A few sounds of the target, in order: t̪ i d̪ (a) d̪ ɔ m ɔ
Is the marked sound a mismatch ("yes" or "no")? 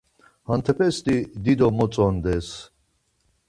yes